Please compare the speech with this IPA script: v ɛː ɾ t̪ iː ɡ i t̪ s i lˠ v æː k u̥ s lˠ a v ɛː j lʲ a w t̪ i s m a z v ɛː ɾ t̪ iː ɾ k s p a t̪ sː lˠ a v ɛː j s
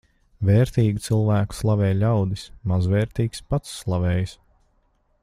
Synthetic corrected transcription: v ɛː ɾ t̪ iː ɡ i t̪ s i lˠ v æː k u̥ s lˠ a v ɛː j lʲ a w d̪ i s m a z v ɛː ɾ t̪ iː k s p a t̪ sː lˠ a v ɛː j s